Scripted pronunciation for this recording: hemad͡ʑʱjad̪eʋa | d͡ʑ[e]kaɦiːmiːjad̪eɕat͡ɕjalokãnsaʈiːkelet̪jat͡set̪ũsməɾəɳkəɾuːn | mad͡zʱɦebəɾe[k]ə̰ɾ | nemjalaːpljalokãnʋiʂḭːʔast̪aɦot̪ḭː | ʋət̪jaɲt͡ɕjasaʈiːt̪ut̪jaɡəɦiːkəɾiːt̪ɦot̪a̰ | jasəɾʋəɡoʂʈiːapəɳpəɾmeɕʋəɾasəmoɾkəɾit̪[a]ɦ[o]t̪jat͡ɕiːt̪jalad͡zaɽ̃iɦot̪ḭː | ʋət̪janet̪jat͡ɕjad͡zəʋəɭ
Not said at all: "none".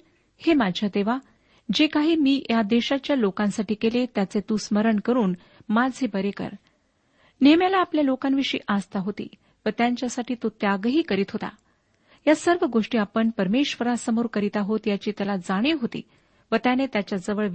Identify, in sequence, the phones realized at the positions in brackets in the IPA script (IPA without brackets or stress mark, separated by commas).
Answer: e, k, a, o